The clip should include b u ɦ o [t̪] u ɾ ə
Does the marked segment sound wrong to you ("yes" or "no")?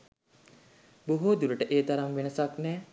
yes